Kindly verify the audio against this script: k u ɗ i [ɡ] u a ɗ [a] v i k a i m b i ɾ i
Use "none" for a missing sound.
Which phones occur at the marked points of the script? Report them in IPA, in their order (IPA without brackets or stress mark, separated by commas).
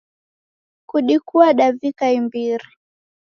k, a